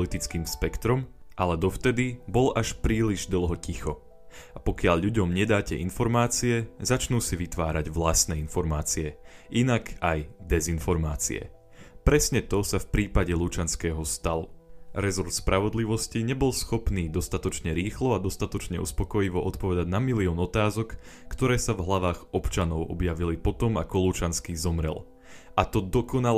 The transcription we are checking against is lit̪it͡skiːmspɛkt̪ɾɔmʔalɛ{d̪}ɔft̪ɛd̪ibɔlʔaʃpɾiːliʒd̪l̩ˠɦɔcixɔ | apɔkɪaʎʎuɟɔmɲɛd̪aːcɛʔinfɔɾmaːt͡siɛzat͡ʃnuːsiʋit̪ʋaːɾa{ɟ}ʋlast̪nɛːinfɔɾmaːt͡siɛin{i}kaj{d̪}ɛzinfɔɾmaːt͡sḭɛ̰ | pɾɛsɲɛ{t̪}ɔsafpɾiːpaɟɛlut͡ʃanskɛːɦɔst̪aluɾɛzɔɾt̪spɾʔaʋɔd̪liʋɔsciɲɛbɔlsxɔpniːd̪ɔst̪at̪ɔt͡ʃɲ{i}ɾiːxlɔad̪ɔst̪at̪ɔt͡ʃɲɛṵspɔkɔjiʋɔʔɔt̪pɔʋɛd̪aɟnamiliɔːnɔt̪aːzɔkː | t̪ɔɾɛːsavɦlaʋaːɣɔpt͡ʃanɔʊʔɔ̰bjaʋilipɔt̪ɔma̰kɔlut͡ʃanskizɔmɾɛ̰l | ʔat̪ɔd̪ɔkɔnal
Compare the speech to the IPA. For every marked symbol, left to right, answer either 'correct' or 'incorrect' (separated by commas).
correct, correct, incorrect, correct, correct, incorrect